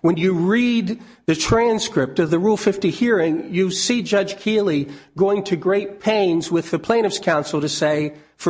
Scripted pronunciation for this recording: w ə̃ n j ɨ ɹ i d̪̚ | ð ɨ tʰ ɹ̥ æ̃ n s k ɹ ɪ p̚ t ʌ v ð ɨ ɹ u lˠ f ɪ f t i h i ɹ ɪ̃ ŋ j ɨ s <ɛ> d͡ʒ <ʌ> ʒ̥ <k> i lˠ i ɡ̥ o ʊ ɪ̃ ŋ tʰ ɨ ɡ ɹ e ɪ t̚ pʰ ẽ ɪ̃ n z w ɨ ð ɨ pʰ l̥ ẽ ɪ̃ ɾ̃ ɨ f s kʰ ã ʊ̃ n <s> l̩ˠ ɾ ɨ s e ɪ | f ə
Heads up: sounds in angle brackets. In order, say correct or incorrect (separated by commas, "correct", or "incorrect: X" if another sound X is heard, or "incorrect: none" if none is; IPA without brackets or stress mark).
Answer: incorrect: i, correct, incorrect: kʰ, correct